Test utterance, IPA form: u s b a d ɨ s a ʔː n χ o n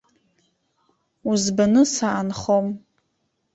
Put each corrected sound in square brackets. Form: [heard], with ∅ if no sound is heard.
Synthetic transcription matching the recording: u [z] b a [n] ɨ s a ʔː n χ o [m]